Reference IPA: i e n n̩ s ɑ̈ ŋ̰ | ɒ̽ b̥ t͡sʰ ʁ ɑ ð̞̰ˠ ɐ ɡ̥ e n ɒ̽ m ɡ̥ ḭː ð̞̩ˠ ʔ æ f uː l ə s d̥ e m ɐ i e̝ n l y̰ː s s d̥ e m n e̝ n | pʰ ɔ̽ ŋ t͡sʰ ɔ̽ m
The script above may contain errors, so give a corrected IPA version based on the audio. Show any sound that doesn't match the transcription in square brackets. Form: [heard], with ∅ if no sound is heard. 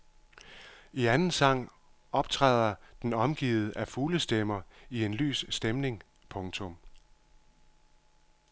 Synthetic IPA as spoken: i [æ] n n̩ s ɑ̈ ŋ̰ | ɒ̽ b̥ t͡sʰ ʁ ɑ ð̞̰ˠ ɐ [d̥] e n ɒ̽ m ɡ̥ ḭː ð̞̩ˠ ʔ æ f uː l ə s d̥ e m ɐ i e̝ n l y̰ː s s d̥ e m n e̝ [ŋ] | pʰ ɔ̽ ŋ t͡sʰ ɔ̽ m